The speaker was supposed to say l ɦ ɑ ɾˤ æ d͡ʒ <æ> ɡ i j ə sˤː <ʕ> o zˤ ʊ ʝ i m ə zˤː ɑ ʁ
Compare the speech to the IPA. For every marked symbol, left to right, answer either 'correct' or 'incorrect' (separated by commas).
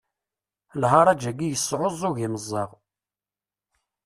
correct, correct